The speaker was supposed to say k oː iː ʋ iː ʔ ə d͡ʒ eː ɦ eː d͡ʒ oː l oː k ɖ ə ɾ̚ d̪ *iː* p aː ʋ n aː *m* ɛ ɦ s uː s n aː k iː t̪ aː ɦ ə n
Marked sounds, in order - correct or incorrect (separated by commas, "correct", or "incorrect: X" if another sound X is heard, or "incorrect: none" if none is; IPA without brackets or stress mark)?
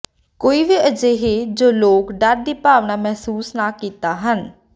correct, correct